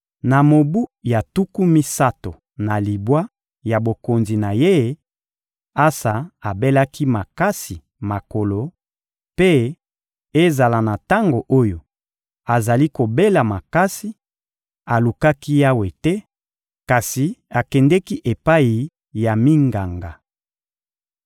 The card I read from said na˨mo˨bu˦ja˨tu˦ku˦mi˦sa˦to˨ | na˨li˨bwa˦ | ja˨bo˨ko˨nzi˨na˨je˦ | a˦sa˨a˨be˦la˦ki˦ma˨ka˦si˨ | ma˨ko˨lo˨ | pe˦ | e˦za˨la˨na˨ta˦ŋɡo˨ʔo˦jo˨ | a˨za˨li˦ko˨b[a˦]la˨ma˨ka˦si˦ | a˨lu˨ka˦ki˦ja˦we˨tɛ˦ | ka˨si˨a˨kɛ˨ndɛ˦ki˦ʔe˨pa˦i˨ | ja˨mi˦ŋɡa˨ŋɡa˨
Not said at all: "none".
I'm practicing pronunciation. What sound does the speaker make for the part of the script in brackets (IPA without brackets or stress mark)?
e˦